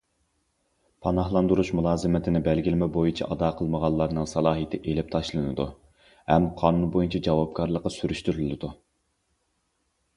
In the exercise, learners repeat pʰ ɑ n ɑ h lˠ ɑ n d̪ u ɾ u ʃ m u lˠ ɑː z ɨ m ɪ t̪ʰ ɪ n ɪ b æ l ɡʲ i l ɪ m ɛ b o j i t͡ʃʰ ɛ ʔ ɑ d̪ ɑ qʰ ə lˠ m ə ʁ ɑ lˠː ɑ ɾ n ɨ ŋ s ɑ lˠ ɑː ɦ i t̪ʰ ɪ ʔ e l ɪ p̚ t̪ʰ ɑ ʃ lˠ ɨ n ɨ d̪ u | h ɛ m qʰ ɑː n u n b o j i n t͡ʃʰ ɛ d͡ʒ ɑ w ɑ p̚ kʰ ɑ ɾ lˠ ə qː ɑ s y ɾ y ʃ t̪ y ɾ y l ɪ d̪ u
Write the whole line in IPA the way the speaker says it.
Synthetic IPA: pʰ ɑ n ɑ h lˠ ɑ n d̪ u ɾ u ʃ m u lˠ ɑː z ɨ m ɪ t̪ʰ ɪ n ɪ b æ l ɡʲ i l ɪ m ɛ b o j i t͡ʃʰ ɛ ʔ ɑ d̪ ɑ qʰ ə lˠ m ə ʁ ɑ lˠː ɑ ɾ n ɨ ŋ s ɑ lˠ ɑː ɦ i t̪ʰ ɪ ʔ e l ɪ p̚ t̪ʰ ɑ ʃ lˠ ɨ n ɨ d̪ u | h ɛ m qʰ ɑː n u n b o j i n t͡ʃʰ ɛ d͡ʒ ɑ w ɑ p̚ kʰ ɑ ɾ lˠ ə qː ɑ s y ɾ y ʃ t̪ y ɾ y l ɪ d̪ u